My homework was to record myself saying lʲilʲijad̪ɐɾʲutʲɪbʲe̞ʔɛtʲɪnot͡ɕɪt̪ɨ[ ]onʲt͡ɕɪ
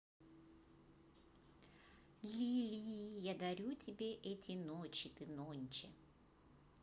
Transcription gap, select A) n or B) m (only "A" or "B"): A